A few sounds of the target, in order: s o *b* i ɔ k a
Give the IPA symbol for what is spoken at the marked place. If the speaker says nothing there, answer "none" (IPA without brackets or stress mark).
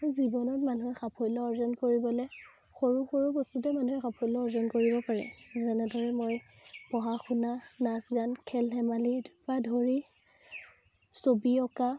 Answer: b